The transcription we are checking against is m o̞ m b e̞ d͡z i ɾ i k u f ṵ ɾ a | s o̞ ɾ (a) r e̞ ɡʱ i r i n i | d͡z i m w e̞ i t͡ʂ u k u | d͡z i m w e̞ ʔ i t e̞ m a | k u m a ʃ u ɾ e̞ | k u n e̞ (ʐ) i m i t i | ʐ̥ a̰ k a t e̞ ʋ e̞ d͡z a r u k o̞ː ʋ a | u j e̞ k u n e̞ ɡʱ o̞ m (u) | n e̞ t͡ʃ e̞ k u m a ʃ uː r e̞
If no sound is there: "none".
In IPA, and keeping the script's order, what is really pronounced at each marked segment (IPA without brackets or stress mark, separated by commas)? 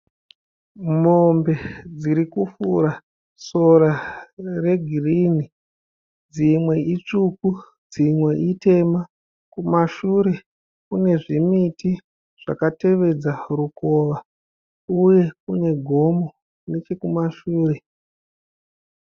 a, ʐ, o